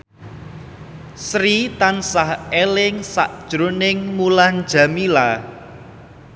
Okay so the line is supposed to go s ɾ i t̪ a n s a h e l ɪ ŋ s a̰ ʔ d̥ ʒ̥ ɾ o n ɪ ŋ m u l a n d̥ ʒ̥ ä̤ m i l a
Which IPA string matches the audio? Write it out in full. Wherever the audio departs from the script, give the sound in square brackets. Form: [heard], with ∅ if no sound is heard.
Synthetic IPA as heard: s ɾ i t̪ a n s a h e l ɪ ŋ s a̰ ʔ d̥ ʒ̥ ɾ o n ɪ ŋ m u l a n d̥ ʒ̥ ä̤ m i l a